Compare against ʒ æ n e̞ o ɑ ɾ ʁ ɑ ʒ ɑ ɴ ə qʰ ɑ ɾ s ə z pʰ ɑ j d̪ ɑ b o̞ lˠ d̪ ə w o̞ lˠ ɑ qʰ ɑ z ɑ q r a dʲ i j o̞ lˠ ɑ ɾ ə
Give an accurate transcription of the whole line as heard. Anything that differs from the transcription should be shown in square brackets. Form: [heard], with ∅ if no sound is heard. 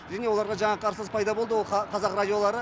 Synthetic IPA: ʒ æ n e̞ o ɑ ɾ ʁ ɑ ʒ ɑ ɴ [ɑ] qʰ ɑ ɾ s ə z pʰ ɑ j d̪ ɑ b o̞ lˠ d̪ ə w o̞ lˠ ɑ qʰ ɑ z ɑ q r a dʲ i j o̞ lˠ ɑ ɾ ə